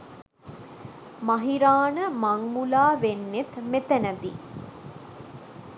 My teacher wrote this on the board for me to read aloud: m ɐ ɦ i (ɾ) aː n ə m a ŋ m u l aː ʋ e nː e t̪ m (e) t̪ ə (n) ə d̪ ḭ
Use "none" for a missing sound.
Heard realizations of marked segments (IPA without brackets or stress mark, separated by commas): ɾ, e, n